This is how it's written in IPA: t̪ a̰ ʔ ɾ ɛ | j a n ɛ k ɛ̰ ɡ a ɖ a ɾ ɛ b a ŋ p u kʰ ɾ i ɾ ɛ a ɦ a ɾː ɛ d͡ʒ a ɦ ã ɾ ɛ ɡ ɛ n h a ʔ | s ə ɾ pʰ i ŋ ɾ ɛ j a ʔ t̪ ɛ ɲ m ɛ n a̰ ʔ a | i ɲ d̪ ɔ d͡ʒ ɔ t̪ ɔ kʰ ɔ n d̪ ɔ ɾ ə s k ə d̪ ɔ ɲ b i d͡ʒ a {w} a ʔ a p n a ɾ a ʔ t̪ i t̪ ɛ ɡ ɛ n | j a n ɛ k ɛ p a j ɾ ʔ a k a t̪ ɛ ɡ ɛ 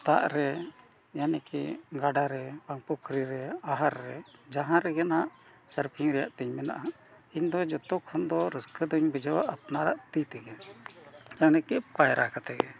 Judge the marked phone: correct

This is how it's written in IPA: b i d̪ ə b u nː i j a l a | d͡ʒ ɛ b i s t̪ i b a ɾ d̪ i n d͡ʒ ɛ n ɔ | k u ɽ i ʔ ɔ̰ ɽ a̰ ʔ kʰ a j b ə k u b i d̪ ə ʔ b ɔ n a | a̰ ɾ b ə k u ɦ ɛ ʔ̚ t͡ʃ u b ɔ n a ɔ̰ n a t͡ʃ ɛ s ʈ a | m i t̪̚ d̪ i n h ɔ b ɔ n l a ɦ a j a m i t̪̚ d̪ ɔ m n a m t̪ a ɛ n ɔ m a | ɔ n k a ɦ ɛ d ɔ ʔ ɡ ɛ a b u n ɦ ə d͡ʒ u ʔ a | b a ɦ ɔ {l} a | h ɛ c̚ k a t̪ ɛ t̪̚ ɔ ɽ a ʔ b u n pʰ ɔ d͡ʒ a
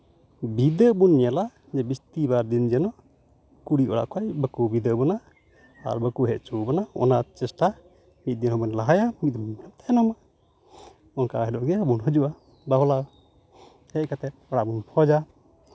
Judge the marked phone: correct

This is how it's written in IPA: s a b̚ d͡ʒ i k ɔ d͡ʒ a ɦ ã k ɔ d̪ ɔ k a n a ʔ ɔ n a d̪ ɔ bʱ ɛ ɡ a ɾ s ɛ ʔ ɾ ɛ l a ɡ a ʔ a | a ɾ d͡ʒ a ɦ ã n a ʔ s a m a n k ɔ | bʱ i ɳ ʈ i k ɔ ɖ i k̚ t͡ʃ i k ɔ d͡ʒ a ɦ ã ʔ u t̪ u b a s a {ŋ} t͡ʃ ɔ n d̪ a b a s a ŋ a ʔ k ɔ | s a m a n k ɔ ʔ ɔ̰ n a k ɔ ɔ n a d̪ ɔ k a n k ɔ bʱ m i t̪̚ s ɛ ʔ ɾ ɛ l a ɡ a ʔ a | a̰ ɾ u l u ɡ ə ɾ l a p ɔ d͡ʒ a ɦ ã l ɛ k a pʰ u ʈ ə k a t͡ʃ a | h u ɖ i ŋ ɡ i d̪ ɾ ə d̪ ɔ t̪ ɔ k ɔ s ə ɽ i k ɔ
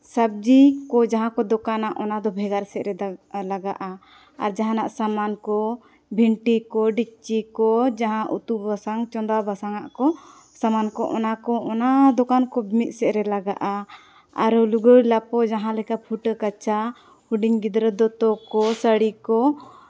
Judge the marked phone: correct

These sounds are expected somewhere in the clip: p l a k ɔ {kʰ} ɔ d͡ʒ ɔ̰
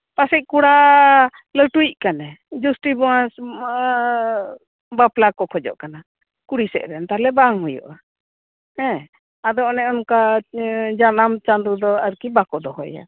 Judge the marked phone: correct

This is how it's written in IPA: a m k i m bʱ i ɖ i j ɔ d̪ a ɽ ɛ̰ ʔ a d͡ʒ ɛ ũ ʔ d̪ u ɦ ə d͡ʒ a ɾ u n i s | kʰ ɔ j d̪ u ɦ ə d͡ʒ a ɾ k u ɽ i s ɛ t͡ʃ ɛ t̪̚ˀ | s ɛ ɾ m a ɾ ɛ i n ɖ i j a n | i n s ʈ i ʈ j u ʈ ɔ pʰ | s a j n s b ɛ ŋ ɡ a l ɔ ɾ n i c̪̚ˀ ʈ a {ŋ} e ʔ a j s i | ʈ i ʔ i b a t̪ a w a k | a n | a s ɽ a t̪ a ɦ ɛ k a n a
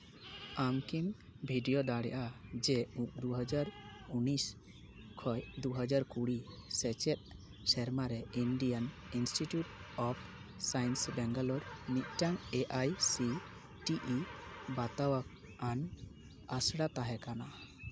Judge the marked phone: correct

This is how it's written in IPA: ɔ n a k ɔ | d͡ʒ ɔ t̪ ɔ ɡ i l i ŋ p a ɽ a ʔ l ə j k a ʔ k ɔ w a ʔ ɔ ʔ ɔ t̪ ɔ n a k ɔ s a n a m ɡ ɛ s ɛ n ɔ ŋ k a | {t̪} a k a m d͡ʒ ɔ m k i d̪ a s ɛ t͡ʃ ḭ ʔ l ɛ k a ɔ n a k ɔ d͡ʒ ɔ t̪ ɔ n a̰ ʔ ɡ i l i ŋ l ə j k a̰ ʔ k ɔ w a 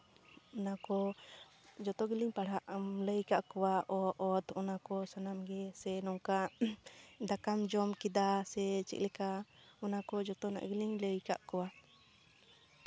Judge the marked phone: incorrect: d̪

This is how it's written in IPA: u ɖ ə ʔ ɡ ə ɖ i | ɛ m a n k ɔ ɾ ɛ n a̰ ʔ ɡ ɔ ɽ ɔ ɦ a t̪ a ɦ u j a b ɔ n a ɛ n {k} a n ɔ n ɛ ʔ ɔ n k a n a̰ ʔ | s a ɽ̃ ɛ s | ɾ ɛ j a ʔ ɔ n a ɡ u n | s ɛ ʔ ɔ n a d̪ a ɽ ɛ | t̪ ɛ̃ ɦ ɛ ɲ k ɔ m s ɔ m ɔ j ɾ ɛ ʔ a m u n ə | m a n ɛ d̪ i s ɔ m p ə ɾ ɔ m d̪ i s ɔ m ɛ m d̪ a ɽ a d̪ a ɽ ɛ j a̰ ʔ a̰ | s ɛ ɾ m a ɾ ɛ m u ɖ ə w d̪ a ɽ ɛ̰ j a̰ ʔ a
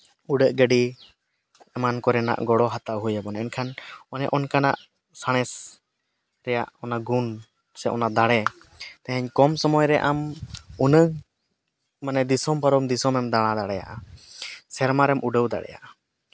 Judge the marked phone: incorrect: kʰ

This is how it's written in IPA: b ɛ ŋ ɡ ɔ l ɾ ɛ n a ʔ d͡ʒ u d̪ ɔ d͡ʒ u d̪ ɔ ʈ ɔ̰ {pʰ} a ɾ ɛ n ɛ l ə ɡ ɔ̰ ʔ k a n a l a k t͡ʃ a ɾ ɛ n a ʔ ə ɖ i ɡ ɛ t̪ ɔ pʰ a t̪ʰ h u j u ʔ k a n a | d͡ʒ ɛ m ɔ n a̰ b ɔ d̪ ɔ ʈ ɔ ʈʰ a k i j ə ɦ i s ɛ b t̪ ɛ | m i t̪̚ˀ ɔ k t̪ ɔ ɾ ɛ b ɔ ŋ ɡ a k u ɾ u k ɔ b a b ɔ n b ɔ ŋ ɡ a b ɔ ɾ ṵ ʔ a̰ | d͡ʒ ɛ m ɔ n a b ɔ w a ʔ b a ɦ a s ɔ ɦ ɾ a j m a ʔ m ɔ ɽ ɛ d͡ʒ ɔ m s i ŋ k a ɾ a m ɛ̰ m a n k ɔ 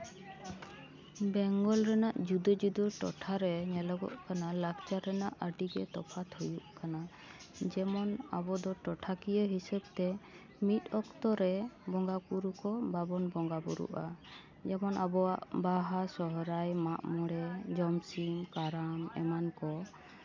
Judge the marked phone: incorrect: ʈʰ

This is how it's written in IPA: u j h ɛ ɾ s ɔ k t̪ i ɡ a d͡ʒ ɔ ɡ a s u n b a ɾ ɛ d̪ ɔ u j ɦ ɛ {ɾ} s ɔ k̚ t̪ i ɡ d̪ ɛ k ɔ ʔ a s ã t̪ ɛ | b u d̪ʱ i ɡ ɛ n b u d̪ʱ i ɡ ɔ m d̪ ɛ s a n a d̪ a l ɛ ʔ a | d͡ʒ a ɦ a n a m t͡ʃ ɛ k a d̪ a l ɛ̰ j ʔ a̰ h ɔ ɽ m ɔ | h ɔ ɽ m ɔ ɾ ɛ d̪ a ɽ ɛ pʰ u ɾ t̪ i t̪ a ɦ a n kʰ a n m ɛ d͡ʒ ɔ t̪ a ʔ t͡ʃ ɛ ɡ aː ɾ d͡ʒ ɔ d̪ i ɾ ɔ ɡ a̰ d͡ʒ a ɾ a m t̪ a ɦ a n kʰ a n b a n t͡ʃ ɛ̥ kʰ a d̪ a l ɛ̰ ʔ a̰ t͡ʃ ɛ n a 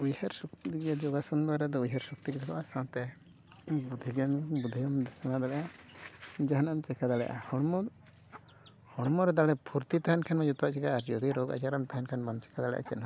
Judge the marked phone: correct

